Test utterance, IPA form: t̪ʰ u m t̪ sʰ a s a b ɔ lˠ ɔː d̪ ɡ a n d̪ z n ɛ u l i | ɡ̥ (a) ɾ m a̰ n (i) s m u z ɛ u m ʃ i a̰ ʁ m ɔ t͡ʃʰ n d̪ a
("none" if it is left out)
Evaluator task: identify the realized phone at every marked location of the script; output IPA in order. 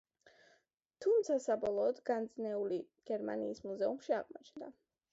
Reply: ɛ, iː

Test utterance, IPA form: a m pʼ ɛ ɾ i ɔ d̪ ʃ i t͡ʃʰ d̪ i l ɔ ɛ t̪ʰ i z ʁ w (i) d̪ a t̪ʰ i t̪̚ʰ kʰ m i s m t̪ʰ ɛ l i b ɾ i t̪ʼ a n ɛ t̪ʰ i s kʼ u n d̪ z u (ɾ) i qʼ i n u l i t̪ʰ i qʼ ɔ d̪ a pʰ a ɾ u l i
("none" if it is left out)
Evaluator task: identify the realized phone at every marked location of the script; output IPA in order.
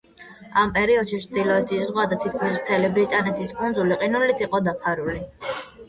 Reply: a, l

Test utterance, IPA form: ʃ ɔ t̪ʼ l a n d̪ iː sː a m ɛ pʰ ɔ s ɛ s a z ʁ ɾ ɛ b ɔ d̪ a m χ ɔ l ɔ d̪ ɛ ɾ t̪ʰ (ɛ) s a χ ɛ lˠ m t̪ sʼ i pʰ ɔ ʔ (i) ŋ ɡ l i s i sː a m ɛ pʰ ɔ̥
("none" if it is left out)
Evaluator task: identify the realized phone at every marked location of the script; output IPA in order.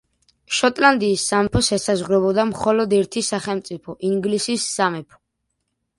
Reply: i, i

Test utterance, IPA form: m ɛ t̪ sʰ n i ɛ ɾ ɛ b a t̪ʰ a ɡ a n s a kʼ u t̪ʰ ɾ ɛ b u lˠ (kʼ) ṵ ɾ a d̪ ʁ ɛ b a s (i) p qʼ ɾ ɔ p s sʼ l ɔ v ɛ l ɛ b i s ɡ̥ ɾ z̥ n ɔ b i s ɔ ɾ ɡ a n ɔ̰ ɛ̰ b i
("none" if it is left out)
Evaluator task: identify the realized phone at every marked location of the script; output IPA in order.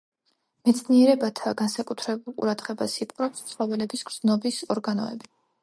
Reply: qʼ, i

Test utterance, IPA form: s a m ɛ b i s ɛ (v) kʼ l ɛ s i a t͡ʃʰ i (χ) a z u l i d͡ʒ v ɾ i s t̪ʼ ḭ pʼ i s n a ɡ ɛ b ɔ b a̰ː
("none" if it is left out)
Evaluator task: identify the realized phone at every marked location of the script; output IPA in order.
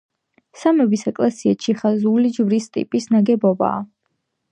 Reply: none, χ

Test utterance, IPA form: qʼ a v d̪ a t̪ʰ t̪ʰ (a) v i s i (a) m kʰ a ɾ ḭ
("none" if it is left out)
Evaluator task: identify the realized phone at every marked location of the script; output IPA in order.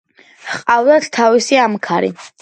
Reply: a, a

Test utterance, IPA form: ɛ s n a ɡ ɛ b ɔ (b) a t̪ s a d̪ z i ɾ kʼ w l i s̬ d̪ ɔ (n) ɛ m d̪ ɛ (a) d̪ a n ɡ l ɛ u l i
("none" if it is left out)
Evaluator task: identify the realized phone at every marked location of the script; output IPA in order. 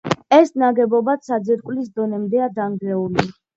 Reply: b, n, a

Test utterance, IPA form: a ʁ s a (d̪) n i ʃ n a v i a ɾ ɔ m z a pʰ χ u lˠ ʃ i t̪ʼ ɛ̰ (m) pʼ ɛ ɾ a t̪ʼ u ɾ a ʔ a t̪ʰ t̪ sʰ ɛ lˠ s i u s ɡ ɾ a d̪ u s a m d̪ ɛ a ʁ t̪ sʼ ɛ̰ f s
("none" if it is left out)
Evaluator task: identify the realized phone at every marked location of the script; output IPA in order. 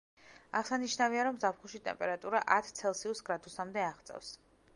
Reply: none, m

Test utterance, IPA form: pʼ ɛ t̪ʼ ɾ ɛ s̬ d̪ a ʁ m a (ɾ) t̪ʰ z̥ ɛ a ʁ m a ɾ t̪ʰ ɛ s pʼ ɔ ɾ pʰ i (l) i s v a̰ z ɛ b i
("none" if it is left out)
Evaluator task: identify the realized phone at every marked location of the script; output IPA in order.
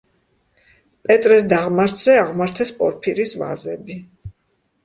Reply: ɾ, ɾ

